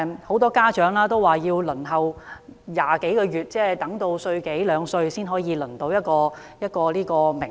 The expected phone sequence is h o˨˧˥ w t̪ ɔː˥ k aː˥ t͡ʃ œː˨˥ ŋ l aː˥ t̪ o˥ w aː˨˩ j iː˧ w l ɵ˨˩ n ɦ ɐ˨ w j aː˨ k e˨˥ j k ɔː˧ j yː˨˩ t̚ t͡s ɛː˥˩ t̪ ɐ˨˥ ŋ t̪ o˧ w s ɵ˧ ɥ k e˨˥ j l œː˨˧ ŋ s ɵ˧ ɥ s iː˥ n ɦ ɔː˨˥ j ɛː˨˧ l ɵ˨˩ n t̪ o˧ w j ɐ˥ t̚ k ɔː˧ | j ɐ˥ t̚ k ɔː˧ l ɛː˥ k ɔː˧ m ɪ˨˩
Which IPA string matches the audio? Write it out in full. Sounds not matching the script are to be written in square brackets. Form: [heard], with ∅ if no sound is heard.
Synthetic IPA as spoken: h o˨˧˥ w t̪ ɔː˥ k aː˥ t͡ʃ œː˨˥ ŋ l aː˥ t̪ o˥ w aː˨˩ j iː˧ w l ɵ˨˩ n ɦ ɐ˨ w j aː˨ k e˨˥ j k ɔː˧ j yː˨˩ t̚ t͡s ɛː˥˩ t̪ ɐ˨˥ ŋ t̪ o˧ w s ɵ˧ ɥ k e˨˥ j l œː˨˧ ŋ s ɵ˧ ɥ s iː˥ n ɦ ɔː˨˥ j [iː˨˧] l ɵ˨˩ n t̪ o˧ w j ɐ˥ t̚ k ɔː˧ | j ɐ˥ t̚ k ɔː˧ l [iː˥] k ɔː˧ m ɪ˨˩